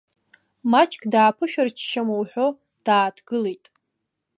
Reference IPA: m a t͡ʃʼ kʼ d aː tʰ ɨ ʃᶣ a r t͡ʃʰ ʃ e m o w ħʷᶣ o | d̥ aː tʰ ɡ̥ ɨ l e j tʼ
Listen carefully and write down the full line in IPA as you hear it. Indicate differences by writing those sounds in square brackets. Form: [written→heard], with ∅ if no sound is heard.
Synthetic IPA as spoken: m a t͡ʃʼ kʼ d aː [tʰ→pʰ] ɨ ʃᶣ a r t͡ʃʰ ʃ [e→a] m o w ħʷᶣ o | d̥ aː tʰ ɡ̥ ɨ l e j tʼ